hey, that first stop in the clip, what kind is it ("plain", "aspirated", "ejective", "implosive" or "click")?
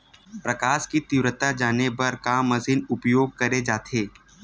plain